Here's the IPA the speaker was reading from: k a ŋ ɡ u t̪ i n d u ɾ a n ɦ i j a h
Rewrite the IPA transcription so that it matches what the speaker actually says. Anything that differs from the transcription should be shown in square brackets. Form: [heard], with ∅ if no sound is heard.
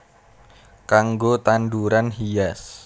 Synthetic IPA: k a ŋ ɡ [o] t̪ [a] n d u ɾ a n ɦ i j a [s]